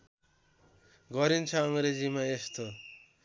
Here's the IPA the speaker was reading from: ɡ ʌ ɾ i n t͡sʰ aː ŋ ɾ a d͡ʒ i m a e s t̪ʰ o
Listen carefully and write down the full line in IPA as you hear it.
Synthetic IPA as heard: ɡ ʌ ɾ i n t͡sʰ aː ŋ ɾ e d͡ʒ i m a e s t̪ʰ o